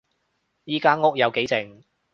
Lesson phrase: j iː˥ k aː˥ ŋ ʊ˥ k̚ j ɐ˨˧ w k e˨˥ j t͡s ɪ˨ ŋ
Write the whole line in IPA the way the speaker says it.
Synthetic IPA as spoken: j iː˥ k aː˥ ŋ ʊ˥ k̚ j ɐ˨˧ w k e˨˥ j t͡s ɪ˨ ŋ

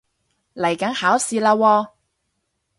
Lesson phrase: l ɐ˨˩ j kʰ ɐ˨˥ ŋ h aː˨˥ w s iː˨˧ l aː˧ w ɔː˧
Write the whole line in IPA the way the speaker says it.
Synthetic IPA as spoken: l ɐ˨˩ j k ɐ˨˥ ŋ h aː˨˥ w s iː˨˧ l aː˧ w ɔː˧

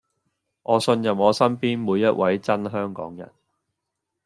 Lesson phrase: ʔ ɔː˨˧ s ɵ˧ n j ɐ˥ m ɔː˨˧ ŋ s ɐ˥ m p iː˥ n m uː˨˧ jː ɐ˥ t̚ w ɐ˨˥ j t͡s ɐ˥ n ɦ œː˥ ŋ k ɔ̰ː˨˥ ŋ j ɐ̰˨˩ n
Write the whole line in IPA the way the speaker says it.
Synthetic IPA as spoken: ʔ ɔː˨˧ s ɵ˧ n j ɐ˨ m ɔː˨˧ s ɐ˥ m p iː˥ n m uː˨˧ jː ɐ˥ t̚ w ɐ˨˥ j t͡s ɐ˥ n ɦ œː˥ ŋ k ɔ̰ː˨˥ ŋ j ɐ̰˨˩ n

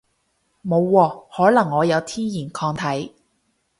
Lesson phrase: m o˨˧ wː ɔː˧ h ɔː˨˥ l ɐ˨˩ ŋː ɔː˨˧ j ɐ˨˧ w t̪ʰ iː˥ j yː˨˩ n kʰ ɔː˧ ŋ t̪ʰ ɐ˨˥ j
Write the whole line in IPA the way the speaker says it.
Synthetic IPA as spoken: m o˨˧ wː ɔː˧ h ɔː˨˥ l ɐ˨˩ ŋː ɔː˨˧ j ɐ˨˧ w t̪ʰ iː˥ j iː˨˩ n kʰ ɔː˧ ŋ t̪ʰ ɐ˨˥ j

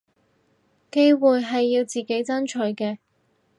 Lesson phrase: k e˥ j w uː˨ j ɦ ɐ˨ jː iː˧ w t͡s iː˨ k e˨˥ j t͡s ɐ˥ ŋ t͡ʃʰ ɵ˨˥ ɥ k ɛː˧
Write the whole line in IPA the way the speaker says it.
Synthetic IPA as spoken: k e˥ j w uː˨ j ɦ ɐ˨ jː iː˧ w t͡s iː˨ k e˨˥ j t͡s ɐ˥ n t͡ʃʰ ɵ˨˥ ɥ k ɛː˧

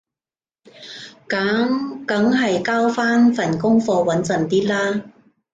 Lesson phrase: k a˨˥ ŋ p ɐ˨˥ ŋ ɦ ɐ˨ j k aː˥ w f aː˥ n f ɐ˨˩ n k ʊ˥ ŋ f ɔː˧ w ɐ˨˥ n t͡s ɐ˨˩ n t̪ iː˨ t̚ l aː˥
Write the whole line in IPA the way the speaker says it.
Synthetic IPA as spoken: k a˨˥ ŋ k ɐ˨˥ ŋ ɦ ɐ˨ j k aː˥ w f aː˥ n f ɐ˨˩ n k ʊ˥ ŋ f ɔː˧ w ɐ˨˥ n t͡s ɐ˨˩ n t̪ iː˥ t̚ l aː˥

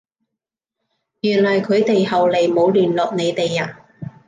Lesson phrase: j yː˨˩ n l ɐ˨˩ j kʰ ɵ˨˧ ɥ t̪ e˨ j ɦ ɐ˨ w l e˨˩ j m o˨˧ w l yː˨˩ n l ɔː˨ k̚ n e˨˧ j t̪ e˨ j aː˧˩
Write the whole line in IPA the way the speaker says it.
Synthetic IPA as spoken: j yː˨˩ n l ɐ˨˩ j kʰ ɵ˨˧ ɥ t̪ e˨ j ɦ ɐ˨ w l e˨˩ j m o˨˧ w l yː˨˩ n l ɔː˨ k̚ n e˨˧ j t̪ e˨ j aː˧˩

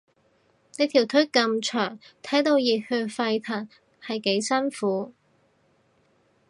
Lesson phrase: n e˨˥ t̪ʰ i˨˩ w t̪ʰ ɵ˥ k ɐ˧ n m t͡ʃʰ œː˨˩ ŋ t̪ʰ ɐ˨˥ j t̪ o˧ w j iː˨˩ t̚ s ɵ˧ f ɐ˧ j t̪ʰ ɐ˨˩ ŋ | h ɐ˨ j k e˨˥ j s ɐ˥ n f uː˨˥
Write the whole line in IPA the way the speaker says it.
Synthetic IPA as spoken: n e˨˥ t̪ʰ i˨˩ w t̪ʰ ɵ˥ k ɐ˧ m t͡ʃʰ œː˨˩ ŋ t̪ʰ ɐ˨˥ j t̪ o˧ w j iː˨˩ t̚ h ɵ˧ f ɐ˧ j t̪ʰ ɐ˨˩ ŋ | h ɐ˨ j k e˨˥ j s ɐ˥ n f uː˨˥

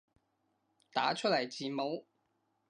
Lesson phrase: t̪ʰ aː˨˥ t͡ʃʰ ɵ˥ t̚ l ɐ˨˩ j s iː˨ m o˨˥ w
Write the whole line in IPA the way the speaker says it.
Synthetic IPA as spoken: t̪ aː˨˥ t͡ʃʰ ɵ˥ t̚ l ɐ˨˩ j t͡s iː˨ m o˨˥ w

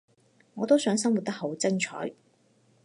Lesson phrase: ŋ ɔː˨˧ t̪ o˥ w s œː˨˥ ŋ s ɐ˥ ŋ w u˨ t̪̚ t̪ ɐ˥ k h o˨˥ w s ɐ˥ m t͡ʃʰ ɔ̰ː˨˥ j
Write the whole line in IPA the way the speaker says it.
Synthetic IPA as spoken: ŋ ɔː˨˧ t̪ o˥ w s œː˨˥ ŋ s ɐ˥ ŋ w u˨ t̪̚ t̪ ɐ˥ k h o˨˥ w t͡s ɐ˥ ŋ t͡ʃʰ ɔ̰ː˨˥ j

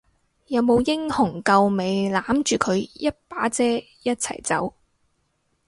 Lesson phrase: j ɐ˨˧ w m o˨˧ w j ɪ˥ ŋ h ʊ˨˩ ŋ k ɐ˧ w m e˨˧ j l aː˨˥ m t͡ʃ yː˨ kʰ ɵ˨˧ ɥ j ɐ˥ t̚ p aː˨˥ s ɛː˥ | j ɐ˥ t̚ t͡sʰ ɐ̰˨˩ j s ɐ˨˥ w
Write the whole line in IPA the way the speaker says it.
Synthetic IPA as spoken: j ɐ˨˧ w m o˨˧ w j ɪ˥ ŋ h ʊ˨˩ ŋ k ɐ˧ w m e˨˧ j l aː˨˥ m t͡ʃ yː˨ kʰ ɵ˨˧ ɥ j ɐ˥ t̚ p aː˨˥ t͡s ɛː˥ | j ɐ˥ t̚ t͡sʰ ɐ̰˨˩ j t͡s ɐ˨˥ w

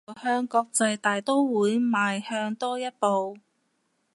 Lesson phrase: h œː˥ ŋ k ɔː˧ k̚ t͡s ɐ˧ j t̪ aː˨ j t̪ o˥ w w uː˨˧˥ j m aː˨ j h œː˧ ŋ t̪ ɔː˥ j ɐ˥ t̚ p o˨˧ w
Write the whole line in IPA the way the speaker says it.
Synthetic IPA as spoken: h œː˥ ŋ k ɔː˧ k̚ t͡s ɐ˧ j t̪ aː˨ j t̪ o˥ w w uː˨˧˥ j m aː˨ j h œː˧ ŋ t̪ ɔː˥ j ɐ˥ t̚ p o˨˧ w

